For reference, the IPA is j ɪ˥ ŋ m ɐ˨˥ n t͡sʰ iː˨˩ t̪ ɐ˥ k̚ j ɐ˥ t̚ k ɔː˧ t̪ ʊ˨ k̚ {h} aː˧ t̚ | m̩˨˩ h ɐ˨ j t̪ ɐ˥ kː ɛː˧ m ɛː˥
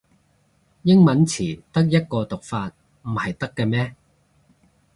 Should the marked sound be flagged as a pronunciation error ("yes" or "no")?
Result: yes